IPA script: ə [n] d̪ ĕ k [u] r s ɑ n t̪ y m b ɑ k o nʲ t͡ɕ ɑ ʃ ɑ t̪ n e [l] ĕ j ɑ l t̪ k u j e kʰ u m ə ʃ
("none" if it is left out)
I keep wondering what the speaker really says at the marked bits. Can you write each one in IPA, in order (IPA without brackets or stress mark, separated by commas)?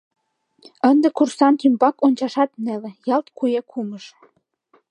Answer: n, u, l